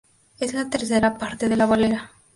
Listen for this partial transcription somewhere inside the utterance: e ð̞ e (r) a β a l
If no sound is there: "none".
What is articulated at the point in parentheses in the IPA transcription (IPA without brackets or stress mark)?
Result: l